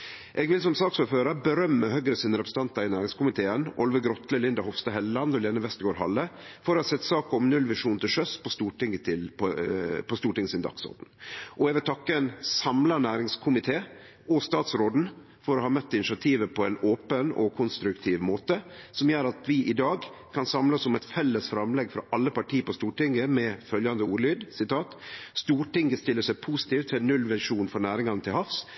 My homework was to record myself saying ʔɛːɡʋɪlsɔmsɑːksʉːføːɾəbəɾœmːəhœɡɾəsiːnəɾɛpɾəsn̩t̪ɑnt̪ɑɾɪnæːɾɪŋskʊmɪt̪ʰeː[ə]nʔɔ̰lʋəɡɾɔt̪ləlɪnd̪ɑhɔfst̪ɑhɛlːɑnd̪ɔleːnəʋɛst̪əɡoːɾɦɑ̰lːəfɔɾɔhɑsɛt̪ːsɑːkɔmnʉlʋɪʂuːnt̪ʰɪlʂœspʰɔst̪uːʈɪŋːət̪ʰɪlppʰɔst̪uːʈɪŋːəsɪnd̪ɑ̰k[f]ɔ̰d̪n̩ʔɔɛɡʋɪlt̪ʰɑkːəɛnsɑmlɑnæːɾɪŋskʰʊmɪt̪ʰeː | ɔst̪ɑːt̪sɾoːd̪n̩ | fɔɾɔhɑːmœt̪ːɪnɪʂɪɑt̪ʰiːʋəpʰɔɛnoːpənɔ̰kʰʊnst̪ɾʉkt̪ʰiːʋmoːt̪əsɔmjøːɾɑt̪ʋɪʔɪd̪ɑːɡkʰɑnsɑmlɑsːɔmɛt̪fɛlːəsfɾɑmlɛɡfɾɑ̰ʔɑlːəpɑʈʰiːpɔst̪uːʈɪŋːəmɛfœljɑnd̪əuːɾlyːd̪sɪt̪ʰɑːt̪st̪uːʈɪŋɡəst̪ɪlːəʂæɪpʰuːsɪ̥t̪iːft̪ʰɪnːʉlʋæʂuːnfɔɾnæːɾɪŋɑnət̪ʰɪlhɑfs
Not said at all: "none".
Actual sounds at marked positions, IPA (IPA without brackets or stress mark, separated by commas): ə, s